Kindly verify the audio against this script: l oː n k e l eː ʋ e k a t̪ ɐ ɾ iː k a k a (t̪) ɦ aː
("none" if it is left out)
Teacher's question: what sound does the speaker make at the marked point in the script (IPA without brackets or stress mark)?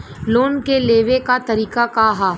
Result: none